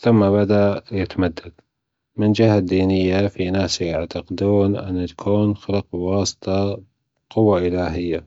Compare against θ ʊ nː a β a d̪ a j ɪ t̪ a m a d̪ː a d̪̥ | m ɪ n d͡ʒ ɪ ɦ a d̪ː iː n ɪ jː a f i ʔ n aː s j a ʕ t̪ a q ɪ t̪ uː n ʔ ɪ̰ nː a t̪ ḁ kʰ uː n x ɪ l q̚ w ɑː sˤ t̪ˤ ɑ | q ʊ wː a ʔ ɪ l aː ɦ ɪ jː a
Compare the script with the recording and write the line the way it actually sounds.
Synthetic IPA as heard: θ ʊ mː a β a d̪ a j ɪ t̪ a m a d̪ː a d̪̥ | m ɪ n d͡ʒ ɪ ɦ a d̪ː iː n ɪ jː a f i n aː s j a ʕ t̪ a q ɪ d̪ uː n ʔ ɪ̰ nː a t̪ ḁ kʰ uː n x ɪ l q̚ w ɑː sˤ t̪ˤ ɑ | q ʊ wː a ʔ ɪ l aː ɦ ɪ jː a